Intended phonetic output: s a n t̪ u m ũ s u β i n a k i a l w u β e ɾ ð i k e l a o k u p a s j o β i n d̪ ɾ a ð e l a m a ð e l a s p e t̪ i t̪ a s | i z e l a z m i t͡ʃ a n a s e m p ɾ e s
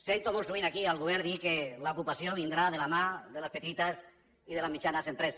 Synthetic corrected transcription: s e n t̪ o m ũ s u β i n a k i a l ɣ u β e ɾ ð i k e l a o k u p a s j o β i n d̪ ɾ a ð e l a m a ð e l a s p e t̪ i t̪ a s | i ð e l a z m i t͡ʃ a n a s e m p ɾ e s